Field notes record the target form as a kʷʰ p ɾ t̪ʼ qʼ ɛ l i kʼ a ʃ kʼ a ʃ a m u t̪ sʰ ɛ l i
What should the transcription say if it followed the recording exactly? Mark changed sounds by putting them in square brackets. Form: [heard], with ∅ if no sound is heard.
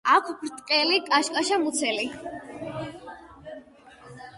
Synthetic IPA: a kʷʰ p ɾ t̪ʼ qʼ ɛ l i kʼ a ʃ kʼ a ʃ a m u t̪ sʰ ɛ l i